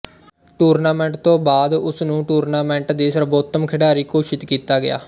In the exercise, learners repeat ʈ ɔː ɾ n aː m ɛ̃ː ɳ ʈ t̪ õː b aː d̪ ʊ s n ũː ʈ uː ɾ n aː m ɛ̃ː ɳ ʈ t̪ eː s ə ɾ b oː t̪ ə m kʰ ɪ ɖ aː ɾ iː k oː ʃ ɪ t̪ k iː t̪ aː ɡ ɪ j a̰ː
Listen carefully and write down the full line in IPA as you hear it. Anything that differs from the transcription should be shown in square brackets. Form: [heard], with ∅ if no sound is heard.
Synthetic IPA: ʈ [uː] ɾ n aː m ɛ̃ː ɳ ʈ t̪ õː b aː d̪ ʊ s n ũː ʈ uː ɾ n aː m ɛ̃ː ɳ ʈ [d̪] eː s ə ɾ b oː t̪ ə m kʰ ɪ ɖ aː ɾ iː k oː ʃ ɪ t̪ k iː t̪ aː ɡ ɪ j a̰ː